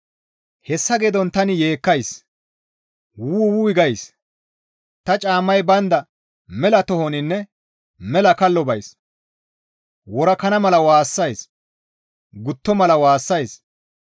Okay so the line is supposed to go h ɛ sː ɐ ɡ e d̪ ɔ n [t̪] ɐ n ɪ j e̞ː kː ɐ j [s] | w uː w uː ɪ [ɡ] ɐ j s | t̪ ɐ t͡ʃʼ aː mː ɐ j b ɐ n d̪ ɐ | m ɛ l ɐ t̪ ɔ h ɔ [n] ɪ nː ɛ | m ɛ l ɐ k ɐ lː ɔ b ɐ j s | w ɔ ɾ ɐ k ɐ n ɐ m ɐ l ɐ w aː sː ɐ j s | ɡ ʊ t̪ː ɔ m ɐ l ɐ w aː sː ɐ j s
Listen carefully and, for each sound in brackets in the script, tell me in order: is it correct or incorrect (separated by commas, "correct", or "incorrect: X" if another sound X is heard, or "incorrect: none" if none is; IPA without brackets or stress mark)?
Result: correct, correct, correct, correct